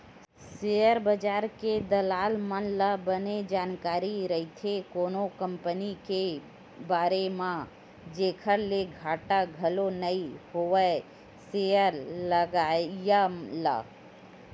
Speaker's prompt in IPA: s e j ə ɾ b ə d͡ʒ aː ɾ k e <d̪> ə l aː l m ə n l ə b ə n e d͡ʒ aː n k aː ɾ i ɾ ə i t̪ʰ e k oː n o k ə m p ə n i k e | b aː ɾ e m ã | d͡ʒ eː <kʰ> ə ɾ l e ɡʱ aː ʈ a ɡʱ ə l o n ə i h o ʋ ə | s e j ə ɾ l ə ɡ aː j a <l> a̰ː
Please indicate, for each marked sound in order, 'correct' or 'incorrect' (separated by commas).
correct, correct, correct